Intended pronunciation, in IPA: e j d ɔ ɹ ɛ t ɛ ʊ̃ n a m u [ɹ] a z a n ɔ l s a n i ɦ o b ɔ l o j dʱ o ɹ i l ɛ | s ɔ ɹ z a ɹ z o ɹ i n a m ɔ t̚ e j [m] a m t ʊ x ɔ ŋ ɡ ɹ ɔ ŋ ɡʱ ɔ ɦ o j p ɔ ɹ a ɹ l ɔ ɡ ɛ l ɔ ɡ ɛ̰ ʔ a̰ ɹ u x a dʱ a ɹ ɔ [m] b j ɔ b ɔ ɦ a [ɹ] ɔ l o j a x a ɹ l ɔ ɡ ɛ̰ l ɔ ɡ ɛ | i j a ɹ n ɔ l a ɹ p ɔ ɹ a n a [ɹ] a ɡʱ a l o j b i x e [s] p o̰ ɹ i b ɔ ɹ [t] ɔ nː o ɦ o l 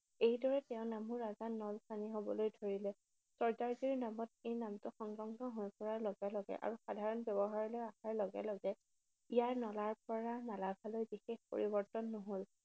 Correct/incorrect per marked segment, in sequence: correct, incorrect, incorrect, correct, incorrect, incorrect, correct

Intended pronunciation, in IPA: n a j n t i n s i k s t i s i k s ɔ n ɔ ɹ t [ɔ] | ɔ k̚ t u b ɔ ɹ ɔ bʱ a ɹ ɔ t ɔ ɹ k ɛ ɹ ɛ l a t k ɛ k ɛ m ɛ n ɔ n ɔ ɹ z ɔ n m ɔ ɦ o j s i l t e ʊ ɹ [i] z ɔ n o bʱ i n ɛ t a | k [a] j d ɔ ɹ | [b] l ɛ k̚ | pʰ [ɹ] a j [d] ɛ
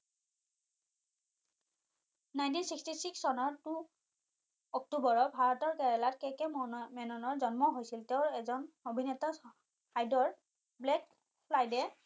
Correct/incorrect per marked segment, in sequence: incorrect, incorrect, correct, correct, incorrect, correct

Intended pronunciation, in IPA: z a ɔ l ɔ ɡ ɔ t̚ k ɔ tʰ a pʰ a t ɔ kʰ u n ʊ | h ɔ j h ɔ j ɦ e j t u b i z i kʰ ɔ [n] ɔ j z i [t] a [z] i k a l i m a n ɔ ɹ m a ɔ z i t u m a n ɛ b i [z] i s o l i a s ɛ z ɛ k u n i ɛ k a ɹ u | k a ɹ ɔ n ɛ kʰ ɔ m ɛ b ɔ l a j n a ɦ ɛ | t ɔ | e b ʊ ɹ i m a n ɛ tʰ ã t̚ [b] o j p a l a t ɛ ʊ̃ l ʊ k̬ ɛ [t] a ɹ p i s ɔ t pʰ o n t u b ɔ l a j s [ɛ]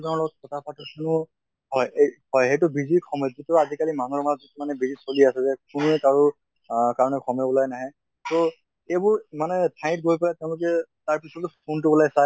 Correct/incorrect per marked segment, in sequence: incorrect, correct, correct, correct, incorrect, correct, incorrect

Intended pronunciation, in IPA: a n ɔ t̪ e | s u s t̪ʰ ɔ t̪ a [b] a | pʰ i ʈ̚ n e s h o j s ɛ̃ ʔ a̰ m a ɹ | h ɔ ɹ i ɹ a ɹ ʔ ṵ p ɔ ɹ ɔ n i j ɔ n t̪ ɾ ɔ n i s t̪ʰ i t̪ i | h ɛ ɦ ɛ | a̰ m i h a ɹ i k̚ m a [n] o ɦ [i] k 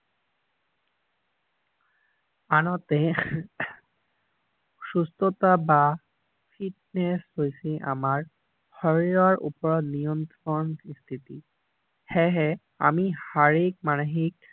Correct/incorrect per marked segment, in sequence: correct, correct, correct

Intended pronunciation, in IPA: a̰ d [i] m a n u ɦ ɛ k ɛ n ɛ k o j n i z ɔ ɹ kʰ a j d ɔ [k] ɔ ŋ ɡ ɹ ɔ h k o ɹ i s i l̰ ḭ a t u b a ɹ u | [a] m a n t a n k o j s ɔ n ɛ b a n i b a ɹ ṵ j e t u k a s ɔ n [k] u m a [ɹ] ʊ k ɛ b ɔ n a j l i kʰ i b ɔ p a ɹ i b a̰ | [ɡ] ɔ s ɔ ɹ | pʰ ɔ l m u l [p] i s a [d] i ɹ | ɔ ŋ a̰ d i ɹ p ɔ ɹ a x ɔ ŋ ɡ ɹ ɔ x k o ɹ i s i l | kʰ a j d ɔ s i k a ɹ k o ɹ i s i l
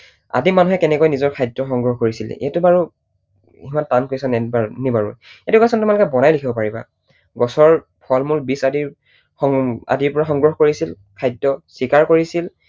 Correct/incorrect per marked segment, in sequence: correct, incorrect, incorrect, incorrect, incorrect, correct, incorrect, correct

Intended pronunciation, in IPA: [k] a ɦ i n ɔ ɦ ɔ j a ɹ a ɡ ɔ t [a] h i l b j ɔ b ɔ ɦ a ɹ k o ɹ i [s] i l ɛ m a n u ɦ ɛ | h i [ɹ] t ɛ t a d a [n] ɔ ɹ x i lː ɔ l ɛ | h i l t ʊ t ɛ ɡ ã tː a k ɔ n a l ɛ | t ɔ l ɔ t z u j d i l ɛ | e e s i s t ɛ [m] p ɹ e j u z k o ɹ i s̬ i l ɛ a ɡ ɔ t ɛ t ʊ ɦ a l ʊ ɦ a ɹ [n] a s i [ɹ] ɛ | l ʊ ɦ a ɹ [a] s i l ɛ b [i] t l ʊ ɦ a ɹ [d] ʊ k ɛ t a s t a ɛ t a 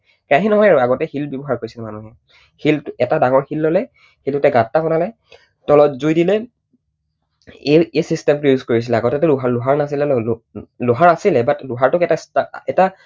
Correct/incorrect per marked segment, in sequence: correct, incorrect, correct, incorrect, incorrect, correct, correct, incorrect, correct, incorrect, incorrect

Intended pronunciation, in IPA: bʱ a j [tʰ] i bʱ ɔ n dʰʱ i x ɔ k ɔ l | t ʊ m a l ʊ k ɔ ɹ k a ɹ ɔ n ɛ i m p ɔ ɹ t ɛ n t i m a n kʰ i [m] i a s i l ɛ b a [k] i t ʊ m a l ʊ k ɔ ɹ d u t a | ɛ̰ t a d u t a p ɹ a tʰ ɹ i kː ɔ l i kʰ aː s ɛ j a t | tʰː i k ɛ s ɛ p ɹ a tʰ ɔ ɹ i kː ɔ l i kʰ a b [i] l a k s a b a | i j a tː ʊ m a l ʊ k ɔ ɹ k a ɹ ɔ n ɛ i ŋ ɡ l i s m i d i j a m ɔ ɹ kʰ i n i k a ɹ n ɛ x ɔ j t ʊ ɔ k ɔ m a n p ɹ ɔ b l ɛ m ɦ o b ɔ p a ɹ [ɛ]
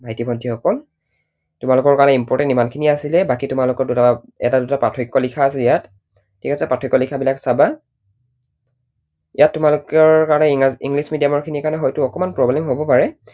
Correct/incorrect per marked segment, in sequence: incorrect, incorrect, correct, correct, correct

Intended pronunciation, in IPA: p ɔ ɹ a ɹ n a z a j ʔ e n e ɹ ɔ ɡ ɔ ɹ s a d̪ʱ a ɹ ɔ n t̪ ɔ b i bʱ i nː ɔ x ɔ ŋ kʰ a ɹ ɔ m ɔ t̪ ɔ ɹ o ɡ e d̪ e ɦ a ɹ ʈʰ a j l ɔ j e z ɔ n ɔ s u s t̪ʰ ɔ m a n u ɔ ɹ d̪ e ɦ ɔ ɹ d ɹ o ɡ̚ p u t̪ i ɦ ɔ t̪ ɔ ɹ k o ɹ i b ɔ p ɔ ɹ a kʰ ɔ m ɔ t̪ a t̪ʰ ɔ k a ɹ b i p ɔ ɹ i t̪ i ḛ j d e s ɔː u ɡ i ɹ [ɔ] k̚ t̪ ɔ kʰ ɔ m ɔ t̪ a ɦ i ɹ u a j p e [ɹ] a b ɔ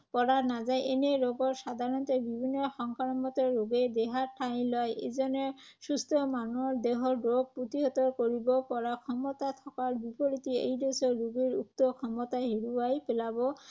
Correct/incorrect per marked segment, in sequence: incorrect, incorrect

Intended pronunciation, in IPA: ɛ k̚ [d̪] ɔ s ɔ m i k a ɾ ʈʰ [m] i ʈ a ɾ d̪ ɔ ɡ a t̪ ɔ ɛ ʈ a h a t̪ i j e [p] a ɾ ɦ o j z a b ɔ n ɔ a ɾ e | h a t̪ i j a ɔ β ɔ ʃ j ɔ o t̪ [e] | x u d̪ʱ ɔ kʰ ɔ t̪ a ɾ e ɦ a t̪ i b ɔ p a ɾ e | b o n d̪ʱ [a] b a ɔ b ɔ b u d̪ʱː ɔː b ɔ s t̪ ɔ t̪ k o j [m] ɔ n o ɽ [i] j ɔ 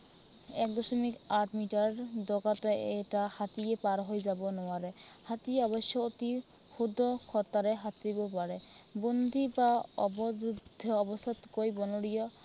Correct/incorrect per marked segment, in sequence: correct, correct, correct, incorrect, incorrect, incorrect, correct

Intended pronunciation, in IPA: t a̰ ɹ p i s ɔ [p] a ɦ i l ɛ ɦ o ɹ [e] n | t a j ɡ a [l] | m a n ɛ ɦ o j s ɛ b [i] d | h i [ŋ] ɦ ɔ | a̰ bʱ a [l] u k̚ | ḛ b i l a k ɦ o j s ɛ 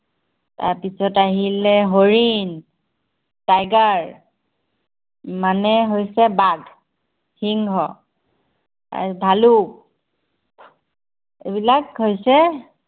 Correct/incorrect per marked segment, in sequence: incorrect, incorrect, incorrect, incorrect, correct, correct

